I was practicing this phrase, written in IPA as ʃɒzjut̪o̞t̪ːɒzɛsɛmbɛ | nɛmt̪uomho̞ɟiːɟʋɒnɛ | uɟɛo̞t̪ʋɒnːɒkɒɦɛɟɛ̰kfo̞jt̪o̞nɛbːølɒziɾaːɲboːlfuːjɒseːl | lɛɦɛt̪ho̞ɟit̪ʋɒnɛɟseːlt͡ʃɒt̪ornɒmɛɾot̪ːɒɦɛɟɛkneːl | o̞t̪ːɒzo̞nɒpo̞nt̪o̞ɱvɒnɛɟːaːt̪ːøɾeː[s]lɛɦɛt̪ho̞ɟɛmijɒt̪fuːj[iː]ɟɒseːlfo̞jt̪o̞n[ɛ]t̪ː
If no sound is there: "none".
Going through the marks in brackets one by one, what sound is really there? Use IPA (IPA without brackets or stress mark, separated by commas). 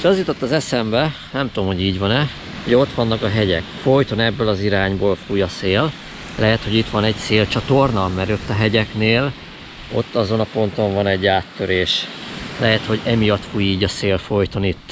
ʃ, iː, i